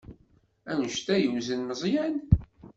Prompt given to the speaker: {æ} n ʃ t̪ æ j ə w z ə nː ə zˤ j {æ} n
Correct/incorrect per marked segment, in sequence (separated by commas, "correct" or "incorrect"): correct, correct